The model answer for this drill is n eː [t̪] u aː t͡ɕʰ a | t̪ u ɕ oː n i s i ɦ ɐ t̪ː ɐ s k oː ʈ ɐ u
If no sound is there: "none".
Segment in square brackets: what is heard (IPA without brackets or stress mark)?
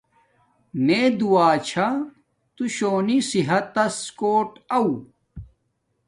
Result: d̪